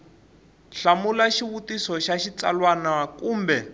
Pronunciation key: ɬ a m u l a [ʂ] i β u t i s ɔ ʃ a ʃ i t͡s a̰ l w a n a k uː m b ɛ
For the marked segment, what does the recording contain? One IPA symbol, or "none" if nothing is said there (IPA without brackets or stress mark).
ʃ